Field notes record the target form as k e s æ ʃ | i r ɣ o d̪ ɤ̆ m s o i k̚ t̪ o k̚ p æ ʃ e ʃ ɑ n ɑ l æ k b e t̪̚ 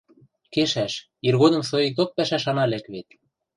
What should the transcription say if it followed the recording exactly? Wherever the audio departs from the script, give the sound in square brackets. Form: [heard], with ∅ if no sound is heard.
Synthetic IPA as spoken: k e [ʃ] æ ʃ | i r ɣ o d̪ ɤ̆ m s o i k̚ t̪ o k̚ p æ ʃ [æ] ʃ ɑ n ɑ l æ k [β] e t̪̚